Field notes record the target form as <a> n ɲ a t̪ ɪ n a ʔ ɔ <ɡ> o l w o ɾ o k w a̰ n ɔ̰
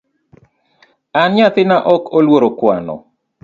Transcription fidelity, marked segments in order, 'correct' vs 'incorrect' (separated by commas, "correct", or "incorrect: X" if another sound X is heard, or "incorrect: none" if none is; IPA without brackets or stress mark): correct, incorrect: k